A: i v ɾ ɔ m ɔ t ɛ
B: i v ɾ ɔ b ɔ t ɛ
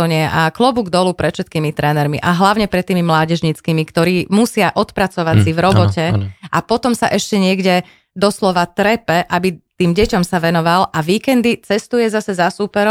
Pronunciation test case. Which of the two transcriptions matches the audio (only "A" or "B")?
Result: B